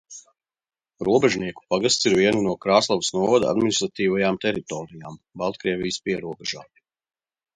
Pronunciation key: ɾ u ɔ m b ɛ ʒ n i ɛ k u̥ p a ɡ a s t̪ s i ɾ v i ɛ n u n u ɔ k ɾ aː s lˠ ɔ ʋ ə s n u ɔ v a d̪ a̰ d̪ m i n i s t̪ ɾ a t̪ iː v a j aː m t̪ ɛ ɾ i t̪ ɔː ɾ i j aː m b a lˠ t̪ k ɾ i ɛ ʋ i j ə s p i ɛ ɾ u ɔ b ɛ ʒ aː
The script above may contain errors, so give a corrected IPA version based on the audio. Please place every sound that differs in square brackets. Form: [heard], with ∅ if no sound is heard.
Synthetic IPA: ɾ u ɔ [∅] b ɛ ʒ n i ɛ k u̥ p a ɡ a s t̪ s i ɾ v i ɛ n u n u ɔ k ɾ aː s lˠ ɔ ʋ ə s n u ɔ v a d̪ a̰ d̪ m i n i s t̪ ɾ a t̪ iː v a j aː m t̪ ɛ ɾ i t̪ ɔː ɾ i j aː m b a lˠ t̪ k ɾ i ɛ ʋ i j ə s p i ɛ ɾ u ɔ b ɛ ʒ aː